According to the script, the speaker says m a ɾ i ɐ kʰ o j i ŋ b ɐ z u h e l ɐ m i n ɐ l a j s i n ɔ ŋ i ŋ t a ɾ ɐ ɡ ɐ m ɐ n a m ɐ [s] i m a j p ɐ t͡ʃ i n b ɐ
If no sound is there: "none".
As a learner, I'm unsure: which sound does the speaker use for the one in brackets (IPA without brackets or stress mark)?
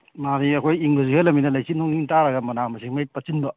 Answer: s